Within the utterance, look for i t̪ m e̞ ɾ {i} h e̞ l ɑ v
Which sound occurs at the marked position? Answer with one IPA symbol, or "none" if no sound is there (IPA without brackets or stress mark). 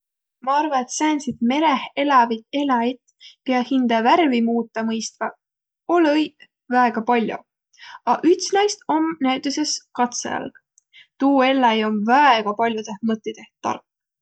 e